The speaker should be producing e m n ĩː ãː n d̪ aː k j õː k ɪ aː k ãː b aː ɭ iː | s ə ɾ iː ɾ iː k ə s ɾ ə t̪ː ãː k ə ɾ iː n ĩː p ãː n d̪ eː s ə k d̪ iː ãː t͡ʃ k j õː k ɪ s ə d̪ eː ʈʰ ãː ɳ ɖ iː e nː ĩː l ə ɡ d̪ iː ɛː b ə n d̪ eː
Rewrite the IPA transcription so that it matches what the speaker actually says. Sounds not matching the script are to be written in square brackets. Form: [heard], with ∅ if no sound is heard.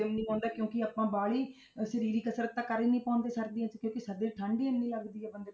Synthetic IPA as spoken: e m n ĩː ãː n d̪ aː k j õː k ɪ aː [p] ãː b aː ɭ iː | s ə ɾ iː ɾ iː k ə s ɾ ə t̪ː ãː k ə ɾ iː n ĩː p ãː n d̪ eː s ə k d̪ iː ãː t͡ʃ k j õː k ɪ s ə d̪ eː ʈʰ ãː ɳ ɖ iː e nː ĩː l ə ɡ d̪ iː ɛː b ə n d̪ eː